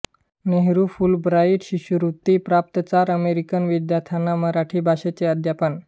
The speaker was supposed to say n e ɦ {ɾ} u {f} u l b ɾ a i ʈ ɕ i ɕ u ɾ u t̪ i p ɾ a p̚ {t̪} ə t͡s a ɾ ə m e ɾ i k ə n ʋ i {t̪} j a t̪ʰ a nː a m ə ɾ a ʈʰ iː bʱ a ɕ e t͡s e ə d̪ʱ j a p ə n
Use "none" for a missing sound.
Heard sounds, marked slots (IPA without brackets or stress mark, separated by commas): ɾ, f, t̪, d̪